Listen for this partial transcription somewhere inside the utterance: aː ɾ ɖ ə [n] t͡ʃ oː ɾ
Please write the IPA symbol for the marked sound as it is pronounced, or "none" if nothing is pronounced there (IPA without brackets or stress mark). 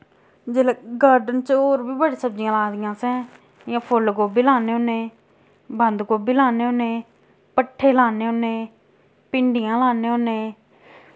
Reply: n